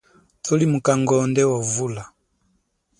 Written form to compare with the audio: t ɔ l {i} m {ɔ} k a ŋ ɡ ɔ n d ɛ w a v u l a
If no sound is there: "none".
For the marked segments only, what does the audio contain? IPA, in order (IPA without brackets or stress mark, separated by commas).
i, u